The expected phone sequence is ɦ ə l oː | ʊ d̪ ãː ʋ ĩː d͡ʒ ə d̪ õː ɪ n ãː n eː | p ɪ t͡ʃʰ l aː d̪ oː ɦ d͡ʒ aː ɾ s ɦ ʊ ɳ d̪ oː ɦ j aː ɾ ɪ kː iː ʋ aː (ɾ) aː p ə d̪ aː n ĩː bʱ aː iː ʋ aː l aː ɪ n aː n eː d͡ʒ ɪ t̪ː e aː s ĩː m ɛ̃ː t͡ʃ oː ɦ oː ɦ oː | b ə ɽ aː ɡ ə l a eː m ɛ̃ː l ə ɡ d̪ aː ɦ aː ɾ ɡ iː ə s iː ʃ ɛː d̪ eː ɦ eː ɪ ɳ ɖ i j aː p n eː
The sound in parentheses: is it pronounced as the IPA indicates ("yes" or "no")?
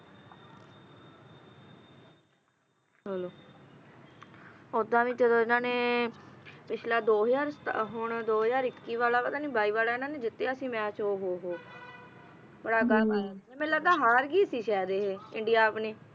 no